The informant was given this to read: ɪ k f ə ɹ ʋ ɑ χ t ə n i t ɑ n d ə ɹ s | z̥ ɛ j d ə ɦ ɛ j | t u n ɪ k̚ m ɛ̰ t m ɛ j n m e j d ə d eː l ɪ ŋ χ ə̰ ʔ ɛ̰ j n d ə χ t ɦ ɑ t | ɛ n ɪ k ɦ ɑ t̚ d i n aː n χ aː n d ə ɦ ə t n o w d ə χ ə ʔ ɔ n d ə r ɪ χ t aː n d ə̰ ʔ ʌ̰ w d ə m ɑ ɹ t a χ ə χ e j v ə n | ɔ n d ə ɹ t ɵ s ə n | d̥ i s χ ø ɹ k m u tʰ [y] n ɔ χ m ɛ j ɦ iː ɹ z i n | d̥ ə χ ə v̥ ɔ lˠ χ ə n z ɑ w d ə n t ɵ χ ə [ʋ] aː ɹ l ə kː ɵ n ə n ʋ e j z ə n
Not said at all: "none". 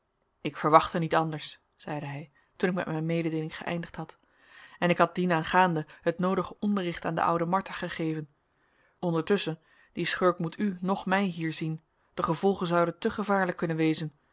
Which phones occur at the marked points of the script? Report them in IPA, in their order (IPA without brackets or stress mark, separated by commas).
y, v